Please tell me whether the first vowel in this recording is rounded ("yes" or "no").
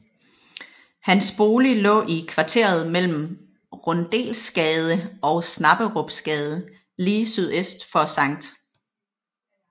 no